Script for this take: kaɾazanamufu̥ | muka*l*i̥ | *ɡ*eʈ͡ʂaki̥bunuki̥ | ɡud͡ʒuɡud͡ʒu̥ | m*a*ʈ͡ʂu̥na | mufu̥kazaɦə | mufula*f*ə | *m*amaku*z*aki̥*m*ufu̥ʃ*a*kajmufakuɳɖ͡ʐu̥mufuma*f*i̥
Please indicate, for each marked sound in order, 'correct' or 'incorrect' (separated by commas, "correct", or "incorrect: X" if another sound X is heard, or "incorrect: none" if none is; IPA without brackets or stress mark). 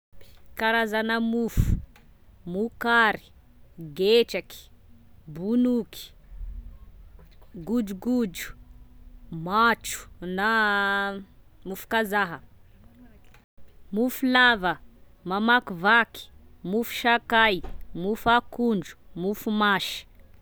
incorrect: ɾ, correct, correct, incorrect: v, correct, incorrect: v, correct, correct, incorrect: ʃ